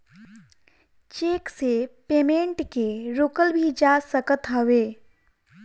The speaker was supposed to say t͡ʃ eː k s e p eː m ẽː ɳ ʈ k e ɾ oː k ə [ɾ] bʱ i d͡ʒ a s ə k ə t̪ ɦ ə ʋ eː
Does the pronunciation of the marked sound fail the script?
yes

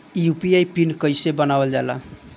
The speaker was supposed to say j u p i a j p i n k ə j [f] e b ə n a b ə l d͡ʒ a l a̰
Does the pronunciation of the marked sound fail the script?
yes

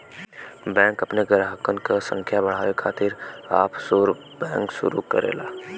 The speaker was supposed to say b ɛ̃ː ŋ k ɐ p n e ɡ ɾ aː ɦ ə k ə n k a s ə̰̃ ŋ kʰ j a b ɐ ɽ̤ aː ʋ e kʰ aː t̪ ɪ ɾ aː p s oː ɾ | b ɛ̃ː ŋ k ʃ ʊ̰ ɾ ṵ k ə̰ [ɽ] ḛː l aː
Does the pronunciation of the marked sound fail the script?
yes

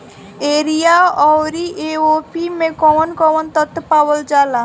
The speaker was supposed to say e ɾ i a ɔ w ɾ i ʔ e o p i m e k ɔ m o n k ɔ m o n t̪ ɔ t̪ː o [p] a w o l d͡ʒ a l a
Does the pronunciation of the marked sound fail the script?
no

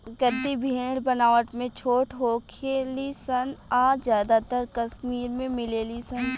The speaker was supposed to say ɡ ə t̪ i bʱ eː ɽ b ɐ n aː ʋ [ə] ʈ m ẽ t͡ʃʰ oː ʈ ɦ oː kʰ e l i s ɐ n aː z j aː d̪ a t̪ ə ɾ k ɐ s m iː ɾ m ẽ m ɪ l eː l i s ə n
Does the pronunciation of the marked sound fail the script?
no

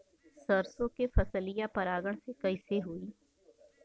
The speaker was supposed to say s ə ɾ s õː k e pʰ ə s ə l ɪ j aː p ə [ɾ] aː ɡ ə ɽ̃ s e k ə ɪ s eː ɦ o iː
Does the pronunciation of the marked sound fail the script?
no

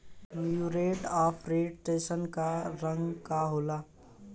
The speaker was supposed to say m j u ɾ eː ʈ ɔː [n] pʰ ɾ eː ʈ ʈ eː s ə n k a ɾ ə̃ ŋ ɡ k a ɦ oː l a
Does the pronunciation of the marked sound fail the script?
yes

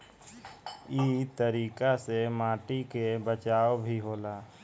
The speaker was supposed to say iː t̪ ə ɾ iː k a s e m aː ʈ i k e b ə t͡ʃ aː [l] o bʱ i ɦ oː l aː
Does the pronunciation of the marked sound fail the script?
yes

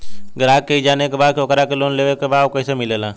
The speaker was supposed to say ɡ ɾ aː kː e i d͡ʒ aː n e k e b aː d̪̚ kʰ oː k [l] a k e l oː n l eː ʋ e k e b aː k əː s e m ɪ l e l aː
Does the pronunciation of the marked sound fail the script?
yes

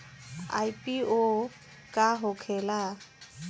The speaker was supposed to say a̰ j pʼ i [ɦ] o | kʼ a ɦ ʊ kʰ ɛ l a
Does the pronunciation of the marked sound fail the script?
yes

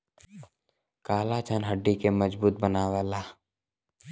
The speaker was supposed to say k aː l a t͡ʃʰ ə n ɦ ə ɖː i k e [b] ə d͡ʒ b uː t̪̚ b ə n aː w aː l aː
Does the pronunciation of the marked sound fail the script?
yes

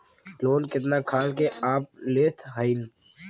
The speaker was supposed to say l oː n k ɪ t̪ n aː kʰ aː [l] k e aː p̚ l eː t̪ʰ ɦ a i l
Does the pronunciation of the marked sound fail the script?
no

